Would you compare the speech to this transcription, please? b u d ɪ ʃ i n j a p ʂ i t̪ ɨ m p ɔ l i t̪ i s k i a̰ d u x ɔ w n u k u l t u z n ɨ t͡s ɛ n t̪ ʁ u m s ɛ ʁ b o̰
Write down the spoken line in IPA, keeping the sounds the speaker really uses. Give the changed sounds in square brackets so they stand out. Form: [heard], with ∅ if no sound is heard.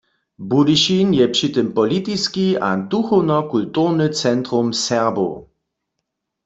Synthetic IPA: b u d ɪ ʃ i n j [ɛ] p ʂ i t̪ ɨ m p ɔ l i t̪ i s k i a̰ d u x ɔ w n [ɔ] k u l t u [ʁ] n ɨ t͡s ɛ n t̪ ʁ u m s ɛ ʁ b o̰